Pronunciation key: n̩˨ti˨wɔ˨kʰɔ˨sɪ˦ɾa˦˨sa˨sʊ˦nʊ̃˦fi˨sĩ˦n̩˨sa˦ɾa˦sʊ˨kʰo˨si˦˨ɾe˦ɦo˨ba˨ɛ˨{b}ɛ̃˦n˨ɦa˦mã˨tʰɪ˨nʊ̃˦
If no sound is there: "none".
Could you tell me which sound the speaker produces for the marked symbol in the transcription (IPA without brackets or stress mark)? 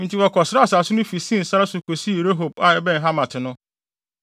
b